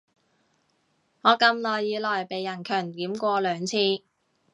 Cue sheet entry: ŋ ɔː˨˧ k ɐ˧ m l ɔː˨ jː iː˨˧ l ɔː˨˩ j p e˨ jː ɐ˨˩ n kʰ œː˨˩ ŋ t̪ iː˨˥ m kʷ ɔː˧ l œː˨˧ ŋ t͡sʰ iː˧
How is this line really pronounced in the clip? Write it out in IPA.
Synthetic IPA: ŋ ɔː˨˧ k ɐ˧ m l ɔː˨ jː iː˨˧ l ɔː˨˩ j p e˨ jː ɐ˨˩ n kʰ œː˨˩ ŋ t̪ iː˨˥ m kʷ ɔː˧ l œː˨˧ ŋ t͡sʰ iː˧

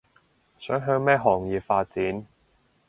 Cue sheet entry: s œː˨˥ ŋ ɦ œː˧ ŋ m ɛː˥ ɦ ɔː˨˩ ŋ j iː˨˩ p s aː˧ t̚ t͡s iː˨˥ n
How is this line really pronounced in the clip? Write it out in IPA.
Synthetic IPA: s œː˨˥ ŋ ɦ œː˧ ŋ m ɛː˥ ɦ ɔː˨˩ ŋ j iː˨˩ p f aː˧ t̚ t͡s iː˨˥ n

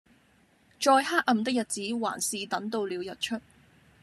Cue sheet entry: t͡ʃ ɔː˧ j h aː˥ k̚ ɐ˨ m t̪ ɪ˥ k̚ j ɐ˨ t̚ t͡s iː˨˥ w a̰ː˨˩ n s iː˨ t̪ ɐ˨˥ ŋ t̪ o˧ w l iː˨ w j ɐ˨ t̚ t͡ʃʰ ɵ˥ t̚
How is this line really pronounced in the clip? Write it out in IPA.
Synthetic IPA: t͡ʃ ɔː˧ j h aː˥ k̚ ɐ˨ m t̪ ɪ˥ k̚ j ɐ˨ t̚ t͡s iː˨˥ w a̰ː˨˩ n s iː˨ t̪ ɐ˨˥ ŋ t̪ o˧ w l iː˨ w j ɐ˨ t̚ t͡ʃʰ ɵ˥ t̚

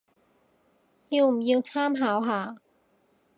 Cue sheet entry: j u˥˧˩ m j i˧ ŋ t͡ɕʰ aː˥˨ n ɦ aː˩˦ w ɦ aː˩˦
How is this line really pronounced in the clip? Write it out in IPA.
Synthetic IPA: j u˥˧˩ m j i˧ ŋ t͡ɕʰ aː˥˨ m ɦ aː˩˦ w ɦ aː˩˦

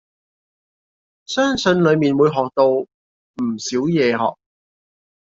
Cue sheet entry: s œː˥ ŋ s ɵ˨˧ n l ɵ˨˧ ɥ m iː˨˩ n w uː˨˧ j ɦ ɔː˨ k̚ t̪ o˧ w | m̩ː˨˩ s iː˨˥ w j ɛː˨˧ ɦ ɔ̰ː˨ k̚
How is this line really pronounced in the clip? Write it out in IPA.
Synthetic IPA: s œː˥ ŋ s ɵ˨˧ n l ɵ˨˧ ɥ m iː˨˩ n w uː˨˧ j ɦ ɔː˨ k̚ t̪ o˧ w | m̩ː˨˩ s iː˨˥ w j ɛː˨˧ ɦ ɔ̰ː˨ k̚

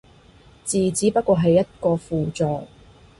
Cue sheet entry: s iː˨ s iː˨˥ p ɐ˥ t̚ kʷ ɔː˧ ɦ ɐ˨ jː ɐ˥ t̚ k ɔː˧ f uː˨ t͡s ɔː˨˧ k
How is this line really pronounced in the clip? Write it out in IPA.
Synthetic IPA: t͡s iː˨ t͡s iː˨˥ p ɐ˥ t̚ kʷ ɔː˧ ɦ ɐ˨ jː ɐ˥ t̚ k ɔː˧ f uː˨ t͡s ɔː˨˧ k

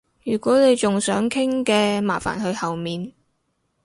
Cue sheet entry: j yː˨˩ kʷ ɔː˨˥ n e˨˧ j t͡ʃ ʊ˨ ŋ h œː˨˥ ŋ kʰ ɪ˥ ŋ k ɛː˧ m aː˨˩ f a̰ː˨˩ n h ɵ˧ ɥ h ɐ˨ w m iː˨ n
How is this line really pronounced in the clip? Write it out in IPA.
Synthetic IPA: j yː˨˩ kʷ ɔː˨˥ n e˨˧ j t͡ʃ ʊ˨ ŋ s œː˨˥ ŋ kʰ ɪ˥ ŋ k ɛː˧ m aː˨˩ f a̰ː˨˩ n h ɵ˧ ɥ h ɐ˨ w m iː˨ n

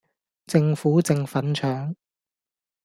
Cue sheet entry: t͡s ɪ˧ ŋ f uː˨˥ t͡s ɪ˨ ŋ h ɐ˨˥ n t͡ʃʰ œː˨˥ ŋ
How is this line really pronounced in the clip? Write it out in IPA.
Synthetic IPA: t͡s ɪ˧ ŋ f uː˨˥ t͡s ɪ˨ ŋ f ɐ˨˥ n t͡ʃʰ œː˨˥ ŋ

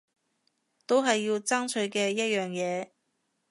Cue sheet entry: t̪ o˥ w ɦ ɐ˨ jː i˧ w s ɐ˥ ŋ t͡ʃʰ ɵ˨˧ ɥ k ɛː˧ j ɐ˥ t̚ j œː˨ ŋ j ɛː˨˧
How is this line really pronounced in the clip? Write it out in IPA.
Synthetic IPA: t̪ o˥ w ɦ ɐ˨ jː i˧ w t͡s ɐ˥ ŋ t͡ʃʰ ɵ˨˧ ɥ k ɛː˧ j ɐ˥ t̚ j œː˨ ŋ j ɛː˨˧

